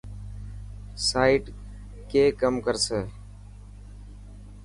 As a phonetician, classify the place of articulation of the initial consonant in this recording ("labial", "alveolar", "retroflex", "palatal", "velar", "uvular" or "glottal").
alveolar